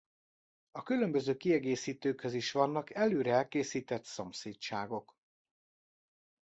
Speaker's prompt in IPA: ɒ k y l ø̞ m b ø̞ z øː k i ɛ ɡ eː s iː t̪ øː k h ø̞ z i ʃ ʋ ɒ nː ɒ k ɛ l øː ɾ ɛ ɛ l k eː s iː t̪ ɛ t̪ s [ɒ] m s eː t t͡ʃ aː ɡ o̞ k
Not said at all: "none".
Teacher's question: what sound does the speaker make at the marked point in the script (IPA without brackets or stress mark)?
o